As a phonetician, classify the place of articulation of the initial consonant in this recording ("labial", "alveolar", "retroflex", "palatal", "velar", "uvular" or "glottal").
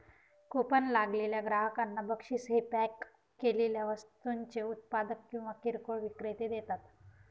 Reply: velar